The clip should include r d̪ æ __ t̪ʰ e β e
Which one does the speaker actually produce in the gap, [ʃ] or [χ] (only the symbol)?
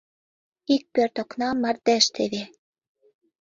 ʃ